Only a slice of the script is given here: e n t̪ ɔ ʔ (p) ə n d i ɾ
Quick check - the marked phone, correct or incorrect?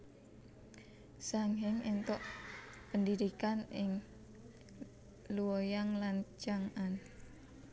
correct